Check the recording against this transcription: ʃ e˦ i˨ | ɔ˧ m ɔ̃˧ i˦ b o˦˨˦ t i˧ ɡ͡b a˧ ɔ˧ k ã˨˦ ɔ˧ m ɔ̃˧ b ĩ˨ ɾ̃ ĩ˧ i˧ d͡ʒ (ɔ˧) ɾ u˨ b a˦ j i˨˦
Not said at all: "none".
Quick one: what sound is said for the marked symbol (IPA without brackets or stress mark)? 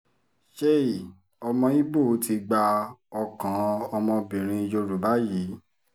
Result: o˧